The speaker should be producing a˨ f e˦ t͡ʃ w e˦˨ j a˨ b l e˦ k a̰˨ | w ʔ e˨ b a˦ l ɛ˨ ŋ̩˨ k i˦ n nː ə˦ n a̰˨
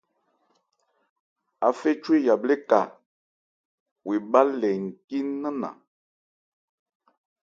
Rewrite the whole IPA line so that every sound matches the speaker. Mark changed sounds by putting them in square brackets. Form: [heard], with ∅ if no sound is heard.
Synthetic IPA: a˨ f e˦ t͡ʃ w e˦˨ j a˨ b l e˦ k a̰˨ | w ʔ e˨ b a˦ l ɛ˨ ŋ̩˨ k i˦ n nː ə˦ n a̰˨